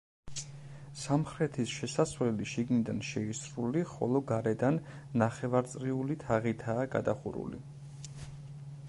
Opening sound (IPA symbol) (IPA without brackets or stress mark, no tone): s